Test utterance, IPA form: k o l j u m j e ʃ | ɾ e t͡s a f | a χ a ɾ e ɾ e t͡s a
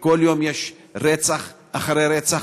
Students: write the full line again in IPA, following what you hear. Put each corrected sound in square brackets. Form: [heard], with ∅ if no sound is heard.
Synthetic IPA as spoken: k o l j [o] m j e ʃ | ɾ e t͡s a [χ] | a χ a ɾ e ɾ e t͡s a